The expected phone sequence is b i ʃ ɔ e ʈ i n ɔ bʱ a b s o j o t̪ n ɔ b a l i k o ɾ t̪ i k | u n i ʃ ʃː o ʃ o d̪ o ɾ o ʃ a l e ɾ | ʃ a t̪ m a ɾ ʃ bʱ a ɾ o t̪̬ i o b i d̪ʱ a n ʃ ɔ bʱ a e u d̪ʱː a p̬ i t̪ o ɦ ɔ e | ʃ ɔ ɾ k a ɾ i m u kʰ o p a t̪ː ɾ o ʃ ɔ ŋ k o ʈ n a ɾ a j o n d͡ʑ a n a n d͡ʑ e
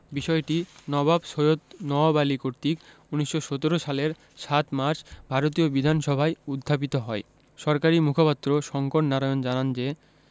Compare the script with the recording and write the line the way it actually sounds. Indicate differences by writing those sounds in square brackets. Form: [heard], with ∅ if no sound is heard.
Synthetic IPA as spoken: b i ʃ ɔ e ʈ i n ɔ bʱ a b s o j o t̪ n ɔ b a l i k o ɾ t̪ i k | u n i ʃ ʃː o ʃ o [t̪] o ɾ o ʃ a l e ɾ | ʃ a t̪ m a ɾ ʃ bʱ a ɾ o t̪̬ i o b i d̪ʱ a n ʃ ɔ bʱ a e u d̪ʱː a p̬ i t̪ o ɦ ɔ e | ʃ ɔ ɾ k a ɾ i m u kʰ o p a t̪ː ɾ o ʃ ɔ ŋ k o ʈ n a ɾ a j o n d͡ʑ a n a n d͡ʑ e